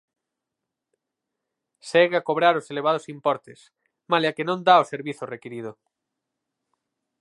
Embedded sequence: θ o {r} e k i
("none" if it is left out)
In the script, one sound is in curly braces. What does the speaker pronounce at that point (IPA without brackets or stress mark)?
r